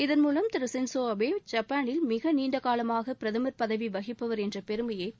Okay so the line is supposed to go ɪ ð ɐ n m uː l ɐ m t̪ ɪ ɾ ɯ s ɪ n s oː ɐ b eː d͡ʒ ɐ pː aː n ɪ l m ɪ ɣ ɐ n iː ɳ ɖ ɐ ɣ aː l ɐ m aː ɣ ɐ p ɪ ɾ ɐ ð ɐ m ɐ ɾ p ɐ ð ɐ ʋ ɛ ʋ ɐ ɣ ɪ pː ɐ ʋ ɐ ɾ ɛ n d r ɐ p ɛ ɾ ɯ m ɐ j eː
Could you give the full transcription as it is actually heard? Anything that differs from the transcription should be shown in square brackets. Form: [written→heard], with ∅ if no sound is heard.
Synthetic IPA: ɪ ð ɐ n m uː l ɐ m t̪ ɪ ɾ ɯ s ɪ n s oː ɐ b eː d͡ʒ ɐ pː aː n ɪ l m ɪ ɣ ɐ n iː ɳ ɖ ɐ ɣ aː l ɐ m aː ɣ ɐ p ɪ ɾ ɐ ð ɐ m ɐ ɾ p ɐ ð ɐ ʋ [ɛ→i] ʋ ɐ ɣ ɪ pː ɐ ʋ ɐ ɾ ɛ n d r ɐ p ɛ ɾ ɯ m ɐ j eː